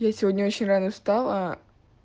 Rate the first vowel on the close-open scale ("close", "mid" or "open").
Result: open